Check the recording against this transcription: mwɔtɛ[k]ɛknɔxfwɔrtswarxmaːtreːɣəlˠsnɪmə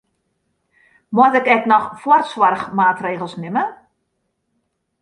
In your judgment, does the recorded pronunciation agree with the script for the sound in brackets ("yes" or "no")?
yes